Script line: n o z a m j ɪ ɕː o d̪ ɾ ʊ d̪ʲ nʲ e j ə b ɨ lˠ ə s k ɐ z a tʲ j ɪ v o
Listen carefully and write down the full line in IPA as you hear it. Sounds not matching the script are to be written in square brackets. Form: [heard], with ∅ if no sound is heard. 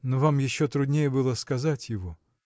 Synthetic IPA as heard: n o [v] a m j ɪ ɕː o [t̪] ɾ ʊ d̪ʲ nʲ e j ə b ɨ lˠ ə s k ɐ z a tʲ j ɪ v o